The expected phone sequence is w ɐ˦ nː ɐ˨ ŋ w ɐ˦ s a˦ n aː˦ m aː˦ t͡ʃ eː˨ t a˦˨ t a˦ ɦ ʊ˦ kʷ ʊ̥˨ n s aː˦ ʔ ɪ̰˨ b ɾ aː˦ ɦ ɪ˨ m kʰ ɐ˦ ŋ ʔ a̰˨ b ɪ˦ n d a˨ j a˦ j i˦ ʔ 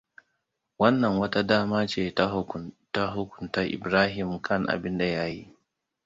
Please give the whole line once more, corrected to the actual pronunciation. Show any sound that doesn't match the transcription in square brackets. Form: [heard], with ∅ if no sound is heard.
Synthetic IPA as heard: w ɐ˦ nː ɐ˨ ŋ w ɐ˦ [t] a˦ [d] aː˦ m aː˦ t͡ʃ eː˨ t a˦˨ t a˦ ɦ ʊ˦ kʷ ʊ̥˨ n [t] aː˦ ʔ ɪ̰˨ b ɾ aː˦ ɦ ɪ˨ m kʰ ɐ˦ ŋ ʔ a̰˨ b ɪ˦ n d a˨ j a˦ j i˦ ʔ